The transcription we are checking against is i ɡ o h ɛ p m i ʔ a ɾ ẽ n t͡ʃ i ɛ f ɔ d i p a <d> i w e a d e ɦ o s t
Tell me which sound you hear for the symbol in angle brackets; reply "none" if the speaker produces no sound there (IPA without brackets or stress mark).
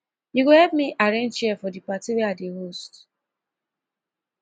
t